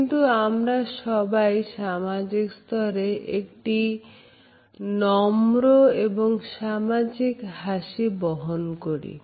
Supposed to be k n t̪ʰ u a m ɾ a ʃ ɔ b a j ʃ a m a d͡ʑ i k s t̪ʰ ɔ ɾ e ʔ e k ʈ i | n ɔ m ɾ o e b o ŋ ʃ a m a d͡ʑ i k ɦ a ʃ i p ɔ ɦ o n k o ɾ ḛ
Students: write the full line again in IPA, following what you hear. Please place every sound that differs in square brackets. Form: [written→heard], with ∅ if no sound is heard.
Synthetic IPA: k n [t̪ʰ→t̪] u a m ɾ a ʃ ɔ b a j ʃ a m a d͡ʑ i k s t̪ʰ ɔ ɾ e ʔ e k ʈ i | n ɔ m ɾ o e b o ŋ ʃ a m a d͡ʑ i k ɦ a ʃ i [p→b] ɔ ɦ o n k o ɾ [ḛ→ḭ]